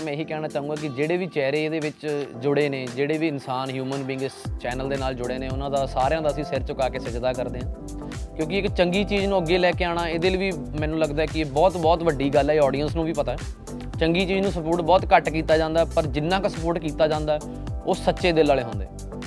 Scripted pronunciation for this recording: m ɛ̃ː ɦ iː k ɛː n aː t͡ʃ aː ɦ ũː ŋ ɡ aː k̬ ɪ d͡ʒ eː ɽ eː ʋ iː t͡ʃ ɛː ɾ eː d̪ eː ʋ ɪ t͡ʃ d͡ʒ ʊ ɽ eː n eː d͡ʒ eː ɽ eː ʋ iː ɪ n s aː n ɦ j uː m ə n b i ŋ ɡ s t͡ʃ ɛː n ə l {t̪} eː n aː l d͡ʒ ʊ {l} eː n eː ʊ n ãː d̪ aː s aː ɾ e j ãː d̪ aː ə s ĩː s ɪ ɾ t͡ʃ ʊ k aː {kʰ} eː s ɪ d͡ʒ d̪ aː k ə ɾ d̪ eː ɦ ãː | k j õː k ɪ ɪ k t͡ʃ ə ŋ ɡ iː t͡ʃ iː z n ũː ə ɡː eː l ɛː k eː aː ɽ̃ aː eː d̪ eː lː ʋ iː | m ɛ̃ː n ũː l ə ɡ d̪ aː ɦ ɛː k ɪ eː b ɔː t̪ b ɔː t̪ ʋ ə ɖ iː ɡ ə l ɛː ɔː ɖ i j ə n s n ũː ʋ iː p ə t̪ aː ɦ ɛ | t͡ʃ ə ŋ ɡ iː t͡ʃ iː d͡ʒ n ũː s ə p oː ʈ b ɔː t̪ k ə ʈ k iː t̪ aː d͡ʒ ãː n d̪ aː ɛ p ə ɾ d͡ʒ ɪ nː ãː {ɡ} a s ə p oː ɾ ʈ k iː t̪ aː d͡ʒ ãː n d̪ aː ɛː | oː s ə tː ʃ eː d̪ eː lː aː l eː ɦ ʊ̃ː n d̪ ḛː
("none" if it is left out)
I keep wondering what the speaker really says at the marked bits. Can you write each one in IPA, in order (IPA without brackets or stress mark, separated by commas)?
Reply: d̪, ɽ, k, k